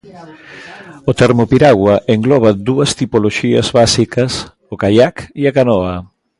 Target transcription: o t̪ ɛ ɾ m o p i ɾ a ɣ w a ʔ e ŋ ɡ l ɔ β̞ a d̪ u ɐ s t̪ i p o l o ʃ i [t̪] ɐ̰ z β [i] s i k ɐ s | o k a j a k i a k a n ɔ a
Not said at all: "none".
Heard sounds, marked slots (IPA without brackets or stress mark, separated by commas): none, a